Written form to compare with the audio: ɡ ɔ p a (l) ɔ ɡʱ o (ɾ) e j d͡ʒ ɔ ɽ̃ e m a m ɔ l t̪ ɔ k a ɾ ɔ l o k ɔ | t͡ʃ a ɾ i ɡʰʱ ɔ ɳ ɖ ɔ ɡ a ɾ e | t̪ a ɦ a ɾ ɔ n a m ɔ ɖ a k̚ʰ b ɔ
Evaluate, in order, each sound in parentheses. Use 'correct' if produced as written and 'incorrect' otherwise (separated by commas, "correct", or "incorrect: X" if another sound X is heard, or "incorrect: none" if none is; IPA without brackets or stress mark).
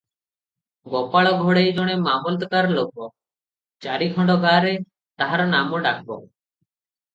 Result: incorrect: ɭ, incorrect: ɽ